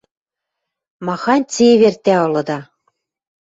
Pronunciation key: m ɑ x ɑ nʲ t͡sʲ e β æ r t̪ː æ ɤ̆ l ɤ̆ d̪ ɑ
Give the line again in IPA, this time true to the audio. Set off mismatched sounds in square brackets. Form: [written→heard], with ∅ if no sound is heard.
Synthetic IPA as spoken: m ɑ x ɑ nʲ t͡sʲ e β [æ→e] r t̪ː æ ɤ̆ l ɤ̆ d̪ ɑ